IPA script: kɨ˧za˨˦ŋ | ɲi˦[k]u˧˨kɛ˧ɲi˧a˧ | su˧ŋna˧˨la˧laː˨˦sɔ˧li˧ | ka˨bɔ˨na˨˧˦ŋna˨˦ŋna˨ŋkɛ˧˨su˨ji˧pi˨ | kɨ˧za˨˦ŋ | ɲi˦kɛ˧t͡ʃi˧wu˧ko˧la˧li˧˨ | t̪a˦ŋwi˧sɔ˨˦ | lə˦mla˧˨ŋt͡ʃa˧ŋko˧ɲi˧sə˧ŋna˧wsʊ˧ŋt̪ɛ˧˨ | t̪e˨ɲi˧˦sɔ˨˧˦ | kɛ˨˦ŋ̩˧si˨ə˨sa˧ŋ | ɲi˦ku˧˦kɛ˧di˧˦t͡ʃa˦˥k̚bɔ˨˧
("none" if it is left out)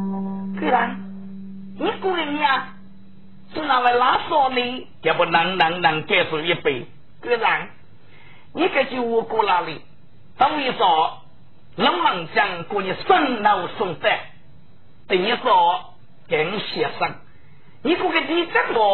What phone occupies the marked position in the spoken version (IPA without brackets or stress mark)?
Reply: k